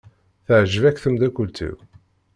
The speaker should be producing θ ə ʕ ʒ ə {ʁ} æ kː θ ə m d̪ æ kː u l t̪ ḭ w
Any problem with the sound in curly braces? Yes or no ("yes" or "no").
yes